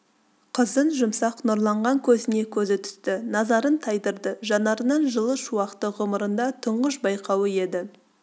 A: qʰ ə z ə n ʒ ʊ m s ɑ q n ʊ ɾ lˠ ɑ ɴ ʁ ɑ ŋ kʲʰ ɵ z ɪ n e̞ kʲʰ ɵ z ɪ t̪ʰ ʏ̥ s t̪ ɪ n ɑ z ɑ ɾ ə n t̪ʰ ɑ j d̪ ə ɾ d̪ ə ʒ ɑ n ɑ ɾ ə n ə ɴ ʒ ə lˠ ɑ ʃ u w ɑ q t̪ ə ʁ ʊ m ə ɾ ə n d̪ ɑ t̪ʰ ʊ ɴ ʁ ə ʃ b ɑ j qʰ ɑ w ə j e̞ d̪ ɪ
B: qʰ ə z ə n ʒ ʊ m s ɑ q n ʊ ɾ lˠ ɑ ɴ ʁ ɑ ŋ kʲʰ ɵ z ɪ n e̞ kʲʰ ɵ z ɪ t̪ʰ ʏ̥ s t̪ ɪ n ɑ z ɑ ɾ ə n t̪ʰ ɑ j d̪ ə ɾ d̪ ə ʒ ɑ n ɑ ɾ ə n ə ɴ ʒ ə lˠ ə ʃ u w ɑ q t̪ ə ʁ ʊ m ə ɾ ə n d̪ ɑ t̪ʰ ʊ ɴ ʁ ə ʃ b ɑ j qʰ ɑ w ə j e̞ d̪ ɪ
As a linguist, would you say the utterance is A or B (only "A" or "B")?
B